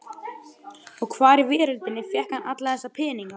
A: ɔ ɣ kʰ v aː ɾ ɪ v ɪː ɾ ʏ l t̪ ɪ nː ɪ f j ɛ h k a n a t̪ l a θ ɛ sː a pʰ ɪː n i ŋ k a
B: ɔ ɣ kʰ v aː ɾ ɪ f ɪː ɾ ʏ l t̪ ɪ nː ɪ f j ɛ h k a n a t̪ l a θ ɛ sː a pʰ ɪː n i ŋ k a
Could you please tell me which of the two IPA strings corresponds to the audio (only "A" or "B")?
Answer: A